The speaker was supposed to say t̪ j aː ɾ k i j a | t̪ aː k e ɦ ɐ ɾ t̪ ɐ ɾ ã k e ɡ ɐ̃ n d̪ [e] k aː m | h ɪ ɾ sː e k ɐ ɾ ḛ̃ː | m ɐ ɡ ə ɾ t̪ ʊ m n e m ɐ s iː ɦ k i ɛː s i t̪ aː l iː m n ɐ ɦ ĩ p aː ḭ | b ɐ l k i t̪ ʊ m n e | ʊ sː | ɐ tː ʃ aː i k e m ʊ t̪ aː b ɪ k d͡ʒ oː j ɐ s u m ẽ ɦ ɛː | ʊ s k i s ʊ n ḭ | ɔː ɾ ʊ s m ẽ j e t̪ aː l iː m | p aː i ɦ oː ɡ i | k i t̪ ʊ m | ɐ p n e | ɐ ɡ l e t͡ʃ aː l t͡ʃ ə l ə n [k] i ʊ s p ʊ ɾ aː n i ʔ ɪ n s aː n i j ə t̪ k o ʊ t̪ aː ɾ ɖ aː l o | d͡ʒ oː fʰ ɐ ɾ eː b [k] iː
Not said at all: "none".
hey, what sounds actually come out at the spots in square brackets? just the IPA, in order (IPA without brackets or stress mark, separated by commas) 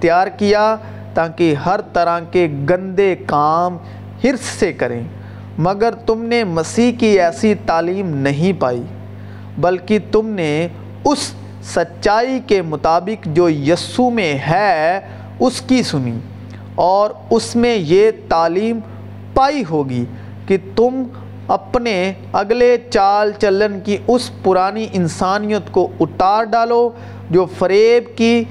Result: e, k, k